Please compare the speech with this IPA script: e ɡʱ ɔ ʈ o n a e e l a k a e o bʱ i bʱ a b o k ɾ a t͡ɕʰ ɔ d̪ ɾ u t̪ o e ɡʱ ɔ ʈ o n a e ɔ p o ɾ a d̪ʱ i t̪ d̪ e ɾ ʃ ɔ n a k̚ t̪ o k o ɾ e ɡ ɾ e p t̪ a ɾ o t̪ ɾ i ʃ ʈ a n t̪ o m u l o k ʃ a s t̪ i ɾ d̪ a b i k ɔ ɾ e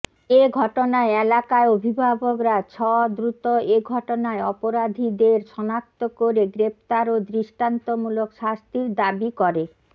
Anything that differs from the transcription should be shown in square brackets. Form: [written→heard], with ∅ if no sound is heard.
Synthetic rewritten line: e ɡʱ ɔ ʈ o n a e e l a k a e o bʱ i bʱ a b o k ɾ a t͡ɕʰ ɔ d̪ ɾ u t̪ o e ɡʱ ɔ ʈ o n a e ɔ p o ɾ a d̪ʱ i [t̪→∅] d̪ e ɾ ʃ ɔ n a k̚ t̪ o k o ɾ e ɡ ɾ e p t̪ a ɾ o [t̪→d̪] ɾ i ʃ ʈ a n t̪ o m u l o k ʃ a s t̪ i ɾ d̪ a b i k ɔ ɾ e